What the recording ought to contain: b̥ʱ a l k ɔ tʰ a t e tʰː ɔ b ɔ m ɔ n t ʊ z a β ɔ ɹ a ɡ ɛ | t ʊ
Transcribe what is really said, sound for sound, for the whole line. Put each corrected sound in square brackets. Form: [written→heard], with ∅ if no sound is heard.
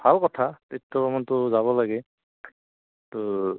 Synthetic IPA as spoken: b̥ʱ a l k ɔ tʰ a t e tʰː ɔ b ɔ m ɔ n t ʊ z a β ɔ [ɹ→l] a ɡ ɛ | t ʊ